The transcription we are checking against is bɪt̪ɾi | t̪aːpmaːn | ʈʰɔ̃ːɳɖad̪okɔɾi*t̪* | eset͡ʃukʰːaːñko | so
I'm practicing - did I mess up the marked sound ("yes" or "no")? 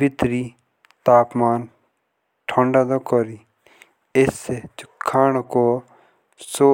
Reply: yes